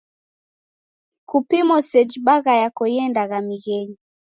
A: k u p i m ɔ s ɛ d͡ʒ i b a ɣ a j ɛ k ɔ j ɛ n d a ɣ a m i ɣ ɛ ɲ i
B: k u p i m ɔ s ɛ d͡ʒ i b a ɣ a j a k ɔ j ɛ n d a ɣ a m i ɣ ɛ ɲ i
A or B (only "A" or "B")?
B